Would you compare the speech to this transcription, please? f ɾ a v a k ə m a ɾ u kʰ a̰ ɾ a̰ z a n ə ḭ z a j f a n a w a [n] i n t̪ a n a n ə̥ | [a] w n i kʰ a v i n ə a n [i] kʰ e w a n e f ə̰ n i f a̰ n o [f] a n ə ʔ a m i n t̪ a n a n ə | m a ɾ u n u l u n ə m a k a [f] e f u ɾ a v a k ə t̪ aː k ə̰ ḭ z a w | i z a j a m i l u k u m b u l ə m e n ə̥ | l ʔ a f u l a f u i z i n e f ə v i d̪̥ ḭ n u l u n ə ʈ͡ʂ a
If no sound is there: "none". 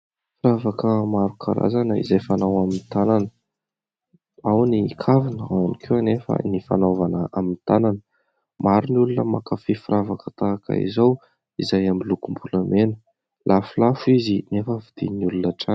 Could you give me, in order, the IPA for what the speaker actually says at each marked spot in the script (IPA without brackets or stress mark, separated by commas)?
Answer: m, a, i, v, f